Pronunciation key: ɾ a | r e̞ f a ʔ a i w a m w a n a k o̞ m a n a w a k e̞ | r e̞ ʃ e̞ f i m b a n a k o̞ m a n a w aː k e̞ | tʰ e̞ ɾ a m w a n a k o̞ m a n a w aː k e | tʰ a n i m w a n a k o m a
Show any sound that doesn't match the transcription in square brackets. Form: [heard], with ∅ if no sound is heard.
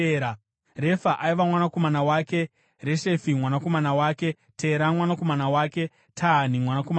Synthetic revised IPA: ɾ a | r e̞ f a ʔ a i [ʋ] a m w a n a k o̞ m a n a w a k e̞ | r e̞ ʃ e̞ f i m [w] a n a k o̞ m a n a w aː k e̞ | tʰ e̞ ɾ a m w a n a k o̞ m a n a w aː k e | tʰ a n i m w a n a k o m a